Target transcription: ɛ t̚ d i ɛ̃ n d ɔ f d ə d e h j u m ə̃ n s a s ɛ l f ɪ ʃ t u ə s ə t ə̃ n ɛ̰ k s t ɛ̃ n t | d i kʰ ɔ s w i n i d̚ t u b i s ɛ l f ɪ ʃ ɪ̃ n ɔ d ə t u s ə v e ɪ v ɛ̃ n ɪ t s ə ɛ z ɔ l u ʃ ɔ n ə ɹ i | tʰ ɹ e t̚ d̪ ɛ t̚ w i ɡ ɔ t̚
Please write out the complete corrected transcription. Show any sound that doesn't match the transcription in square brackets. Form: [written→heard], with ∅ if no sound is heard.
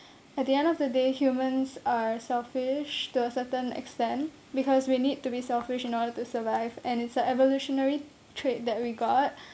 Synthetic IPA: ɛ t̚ d i ɛ̃ n d ɔ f d ə d e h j u m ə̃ n s a s ɛ l f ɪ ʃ t u ə s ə t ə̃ n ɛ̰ k s t ɛ̃ n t | [d→b] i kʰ ɔ s w i n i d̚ t u b i s ɛ l f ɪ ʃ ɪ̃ n ɔ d ə t u s ə v [e→a] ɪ v ɛ̃ n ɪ t s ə ɛ [z→v] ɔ l u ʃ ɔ n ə ɹ i | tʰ ɹ e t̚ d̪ ɛ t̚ w i ɡ ɔ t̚